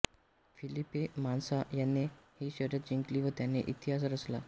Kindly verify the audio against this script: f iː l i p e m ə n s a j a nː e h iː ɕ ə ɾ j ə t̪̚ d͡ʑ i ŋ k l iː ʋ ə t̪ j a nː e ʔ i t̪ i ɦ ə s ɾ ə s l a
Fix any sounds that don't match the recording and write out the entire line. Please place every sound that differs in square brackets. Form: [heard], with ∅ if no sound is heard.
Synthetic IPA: f [i] l i p e m [a] n s a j a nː e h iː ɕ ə ɾ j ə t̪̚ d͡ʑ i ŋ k l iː ʋ ə t̪ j a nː e ʔ i t̪ i ɦ [a] s ɾ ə s l a